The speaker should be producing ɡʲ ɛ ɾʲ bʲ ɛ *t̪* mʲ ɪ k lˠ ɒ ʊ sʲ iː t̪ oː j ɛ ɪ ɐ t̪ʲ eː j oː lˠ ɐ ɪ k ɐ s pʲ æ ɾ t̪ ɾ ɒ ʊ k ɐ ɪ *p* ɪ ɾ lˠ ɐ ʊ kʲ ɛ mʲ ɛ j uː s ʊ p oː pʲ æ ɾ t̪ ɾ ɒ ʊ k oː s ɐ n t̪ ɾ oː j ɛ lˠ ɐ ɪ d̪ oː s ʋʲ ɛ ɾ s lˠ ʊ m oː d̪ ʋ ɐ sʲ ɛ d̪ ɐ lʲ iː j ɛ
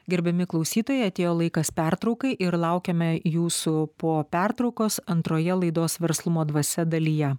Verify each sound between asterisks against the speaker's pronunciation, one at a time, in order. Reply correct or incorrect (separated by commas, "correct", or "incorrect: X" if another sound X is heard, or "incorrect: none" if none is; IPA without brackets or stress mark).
incorrect: none, incorrect: ʔ